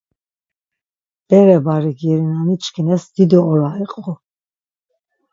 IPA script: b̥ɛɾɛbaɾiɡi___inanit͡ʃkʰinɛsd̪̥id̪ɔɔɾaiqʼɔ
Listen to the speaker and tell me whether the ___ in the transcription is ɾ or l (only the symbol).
ɾ